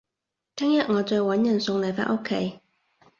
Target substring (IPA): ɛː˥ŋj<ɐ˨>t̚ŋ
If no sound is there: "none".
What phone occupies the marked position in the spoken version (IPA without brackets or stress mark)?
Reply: ɐ˨